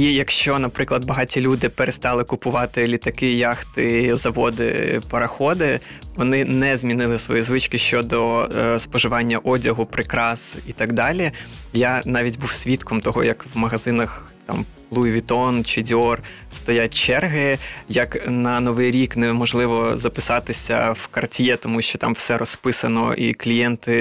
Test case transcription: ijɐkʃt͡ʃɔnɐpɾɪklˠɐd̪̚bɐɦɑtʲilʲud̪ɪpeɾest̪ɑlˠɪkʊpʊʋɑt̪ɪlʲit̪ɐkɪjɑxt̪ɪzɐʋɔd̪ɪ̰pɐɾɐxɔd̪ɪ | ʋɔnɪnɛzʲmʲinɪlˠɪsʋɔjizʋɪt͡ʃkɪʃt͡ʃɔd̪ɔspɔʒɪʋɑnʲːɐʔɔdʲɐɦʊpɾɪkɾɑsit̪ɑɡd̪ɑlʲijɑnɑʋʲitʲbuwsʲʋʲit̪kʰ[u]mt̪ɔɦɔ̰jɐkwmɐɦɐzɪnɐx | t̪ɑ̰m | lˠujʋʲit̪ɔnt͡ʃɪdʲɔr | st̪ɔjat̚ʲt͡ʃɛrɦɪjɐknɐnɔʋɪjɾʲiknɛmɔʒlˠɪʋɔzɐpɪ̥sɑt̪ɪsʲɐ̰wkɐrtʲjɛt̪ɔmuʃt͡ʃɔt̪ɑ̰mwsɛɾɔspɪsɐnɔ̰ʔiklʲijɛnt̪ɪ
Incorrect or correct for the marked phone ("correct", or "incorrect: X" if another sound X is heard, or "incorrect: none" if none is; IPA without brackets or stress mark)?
incorrect: ɔ